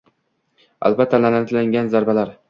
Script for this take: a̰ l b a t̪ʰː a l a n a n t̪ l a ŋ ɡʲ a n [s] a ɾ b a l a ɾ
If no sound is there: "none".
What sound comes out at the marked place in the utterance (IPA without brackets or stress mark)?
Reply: z